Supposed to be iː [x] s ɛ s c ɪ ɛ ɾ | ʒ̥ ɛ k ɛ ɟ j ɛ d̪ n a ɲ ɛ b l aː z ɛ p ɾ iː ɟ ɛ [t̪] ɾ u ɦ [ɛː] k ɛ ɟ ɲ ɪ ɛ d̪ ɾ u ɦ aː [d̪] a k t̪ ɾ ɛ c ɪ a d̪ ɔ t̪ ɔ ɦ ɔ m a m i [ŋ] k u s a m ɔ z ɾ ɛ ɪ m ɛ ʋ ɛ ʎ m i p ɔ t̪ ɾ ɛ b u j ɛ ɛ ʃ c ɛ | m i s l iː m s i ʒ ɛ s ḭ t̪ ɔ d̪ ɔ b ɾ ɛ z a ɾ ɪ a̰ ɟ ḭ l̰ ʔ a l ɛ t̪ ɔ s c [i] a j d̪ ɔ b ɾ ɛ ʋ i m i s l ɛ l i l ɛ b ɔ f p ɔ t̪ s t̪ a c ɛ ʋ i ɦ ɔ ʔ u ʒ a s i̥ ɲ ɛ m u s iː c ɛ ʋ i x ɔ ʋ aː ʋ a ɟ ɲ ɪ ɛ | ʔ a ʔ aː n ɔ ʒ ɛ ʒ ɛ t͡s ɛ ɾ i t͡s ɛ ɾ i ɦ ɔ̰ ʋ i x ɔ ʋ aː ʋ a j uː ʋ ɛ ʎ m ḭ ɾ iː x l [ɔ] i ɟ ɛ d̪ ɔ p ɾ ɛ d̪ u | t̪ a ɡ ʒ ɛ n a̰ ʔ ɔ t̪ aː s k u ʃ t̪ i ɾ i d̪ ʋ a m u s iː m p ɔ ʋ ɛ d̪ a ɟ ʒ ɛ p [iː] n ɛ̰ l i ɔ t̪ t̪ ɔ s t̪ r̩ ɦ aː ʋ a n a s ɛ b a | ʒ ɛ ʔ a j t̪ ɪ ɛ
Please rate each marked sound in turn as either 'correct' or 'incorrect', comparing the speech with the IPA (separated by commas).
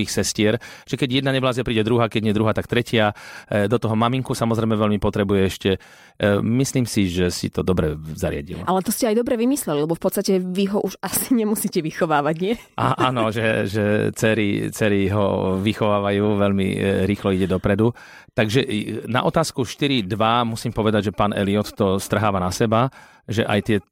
correct, incorrect, incorrect, incorrect, correct, incorrect, correct, incorrect